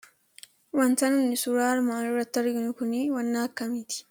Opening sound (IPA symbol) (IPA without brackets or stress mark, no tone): w